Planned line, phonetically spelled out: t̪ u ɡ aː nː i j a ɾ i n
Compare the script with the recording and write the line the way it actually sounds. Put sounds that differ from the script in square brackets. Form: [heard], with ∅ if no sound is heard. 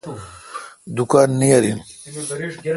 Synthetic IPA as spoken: [d̪] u [k] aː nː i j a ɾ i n